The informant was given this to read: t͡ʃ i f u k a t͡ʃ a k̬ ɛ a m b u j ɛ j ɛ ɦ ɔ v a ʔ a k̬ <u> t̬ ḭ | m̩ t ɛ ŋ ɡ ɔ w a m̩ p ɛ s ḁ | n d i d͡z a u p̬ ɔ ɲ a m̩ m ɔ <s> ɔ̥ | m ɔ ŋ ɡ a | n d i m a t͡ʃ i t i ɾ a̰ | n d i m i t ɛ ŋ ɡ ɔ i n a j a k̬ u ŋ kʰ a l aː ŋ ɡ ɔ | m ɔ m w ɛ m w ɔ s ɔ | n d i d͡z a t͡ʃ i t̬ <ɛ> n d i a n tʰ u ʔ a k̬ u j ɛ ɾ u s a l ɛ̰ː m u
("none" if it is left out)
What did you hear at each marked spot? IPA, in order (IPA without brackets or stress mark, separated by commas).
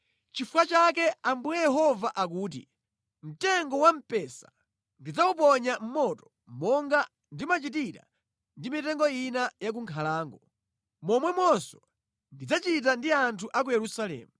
uː, t, a